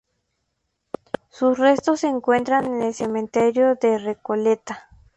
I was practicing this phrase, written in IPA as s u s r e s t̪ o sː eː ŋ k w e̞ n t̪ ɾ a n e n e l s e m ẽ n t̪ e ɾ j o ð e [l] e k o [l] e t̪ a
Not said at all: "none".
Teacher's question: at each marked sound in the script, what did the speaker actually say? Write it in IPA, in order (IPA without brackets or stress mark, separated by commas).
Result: r, l